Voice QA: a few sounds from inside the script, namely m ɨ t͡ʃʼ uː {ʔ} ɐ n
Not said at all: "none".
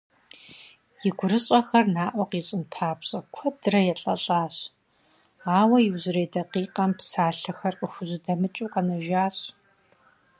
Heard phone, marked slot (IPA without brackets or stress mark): q